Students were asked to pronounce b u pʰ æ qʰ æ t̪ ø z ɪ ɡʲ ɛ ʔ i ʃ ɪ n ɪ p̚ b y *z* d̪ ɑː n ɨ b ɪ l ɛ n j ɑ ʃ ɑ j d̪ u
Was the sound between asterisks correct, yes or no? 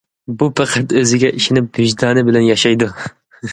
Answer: no